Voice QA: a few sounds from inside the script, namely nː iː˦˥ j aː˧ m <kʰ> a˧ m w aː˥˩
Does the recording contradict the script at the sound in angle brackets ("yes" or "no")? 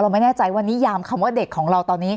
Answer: no